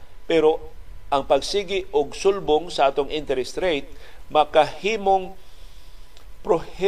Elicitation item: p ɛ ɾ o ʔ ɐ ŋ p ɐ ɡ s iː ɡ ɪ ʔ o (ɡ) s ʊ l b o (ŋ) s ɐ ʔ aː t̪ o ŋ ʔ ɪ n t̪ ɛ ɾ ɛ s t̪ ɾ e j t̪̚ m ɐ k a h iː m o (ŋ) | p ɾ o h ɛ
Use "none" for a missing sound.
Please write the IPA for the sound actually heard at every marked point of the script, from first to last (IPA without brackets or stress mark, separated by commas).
ɡ, ŋ, ŋ